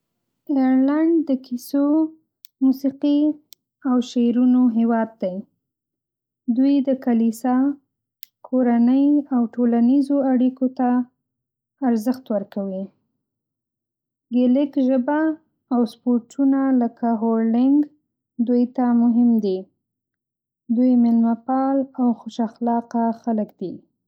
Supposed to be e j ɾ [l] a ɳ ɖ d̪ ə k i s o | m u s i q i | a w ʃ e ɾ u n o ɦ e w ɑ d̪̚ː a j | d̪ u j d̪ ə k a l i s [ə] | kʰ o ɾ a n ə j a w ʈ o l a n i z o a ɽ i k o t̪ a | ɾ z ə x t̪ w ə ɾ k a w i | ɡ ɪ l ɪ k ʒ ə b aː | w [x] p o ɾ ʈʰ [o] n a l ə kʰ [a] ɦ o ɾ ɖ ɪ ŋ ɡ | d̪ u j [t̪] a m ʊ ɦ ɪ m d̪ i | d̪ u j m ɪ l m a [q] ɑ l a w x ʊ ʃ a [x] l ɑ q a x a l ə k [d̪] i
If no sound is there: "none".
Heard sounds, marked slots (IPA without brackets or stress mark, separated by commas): l, ɑ, s, u, a, t̪, p, x, d̪